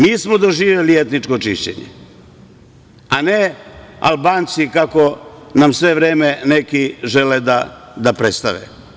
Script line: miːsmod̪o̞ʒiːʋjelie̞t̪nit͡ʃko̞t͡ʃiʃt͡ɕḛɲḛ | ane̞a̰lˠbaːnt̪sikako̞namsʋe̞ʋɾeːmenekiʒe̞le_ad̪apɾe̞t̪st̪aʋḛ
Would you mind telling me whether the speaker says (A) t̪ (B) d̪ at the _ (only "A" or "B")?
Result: B